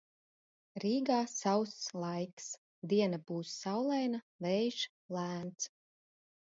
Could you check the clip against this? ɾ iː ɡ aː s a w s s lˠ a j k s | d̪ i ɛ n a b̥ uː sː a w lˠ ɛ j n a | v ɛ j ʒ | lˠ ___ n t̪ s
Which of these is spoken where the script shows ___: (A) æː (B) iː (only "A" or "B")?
A